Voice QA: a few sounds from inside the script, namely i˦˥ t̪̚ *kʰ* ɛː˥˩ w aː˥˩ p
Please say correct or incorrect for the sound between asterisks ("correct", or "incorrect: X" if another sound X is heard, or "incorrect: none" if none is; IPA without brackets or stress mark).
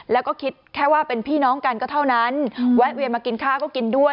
correct